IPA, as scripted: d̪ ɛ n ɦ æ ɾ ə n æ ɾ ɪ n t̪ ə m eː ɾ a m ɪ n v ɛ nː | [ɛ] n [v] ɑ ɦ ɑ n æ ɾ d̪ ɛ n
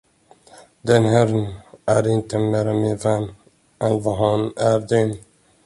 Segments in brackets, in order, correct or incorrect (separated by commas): correct, correct